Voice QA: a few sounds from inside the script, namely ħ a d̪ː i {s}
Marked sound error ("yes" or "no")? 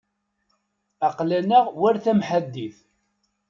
yes